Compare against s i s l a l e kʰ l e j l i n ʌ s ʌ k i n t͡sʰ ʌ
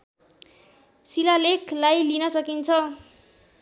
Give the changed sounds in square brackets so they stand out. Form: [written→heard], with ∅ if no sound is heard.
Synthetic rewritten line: s i [s→∅] l a l e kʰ l [e→a] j l i n ʌ s ʌ k i n t͡sʰ ʌ